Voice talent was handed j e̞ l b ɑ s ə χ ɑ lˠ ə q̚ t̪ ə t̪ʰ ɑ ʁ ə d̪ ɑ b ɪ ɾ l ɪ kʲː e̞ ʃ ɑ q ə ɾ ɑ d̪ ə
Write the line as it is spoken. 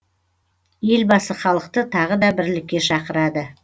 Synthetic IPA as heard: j e̞ l b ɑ s ə χ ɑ lˠ ə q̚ t̪ ə t̪ʰ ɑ ʁ ə d̪ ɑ b ɪ ɾ l ɪ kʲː e̞ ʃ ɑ q ə ɾ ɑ d̪ ə